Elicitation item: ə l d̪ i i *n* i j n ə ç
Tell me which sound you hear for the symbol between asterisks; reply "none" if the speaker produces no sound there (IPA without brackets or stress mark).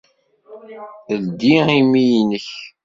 m